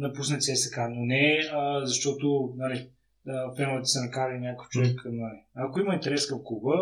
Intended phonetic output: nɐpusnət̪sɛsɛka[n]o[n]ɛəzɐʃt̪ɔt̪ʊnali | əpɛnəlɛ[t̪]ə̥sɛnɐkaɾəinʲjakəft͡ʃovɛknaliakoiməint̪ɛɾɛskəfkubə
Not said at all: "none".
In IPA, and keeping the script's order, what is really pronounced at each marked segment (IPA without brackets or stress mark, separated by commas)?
n, n, t̪